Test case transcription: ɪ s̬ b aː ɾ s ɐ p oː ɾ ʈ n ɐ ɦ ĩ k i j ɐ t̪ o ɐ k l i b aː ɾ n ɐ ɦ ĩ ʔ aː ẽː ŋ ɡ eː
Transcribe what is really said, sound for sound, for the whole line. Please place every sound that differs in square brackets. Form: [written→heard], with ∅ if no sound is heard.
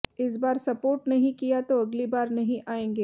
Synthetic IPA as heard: ɪ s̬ b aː ɾ s ɐ p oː ɾ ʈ n ɐ ɦ ĩ k i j [ɐ→a] t̪ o ɐ [k→ɡ] l i b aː ɾ n ɐ ɦ ĩ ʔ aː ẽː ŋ ɡ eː